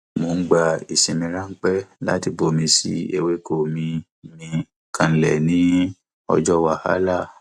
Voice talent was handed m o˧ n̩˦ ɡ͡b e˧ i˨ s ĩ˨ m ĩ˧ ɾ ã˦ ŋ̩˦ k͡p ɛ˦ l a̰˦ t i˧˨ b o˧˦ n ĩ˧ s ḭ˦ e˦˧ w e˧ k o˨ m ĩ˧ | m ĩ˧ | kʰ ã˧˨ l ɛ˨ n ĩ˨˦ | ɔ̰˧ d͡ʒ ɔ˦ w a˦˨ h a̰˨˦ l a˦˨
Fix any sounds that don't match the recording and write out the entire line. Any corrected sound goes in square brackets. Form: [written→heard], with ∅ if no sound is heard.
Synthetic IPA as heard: m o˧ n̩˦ ɡ͡b [e˧→a˧] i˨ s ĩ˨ m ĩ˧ ɾ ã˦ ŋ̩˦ k͡p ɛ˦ l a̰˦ t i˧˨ b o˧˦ [n→m] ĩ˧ s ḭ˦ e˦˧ w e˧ k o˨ m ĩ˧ | m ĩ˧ | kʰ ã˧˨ l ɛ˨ n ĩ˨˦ | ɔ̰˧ d͡ʒ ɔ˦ w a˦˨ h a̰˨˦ l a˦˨